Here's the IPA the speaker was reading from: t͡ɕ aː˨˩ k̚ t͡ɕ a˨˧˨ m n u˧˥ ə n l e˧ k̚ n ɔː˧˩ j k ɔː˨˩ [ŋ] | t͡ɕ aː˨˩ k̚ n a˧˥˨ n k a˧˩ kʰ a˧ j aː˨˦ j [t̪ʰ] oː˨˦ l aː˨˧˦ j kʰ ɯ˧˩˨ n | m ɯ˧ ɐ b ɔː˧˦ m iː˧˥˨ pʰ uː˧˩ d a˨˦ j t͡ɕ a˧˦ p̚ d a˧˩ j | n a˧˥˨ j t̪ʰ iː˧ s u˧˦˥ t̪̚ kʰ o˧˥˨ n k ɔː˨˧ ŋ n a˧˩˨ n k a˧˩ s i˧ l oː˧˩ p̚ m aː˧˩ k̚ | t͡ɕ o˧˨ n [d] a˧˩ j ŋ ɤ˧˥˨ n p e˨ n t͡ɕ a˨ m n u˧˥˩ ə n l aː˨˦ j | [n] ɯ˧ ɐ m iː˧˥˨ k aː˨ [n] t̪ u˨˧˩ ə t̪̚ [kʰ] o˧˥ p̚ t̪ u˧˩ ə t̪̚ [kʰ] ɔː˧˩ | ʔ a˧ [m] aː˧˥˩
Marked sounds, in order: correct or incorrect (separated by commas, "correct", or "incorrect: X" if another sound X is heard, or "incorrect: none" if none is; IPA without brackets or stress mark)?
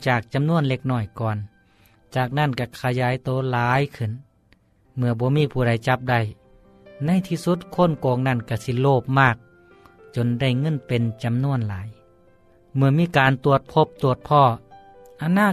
incorrect: n, incorrect: t̪, correct, incorrect: m, correct, incorrect: pʰ, incorrect: pʰ, incorrect: n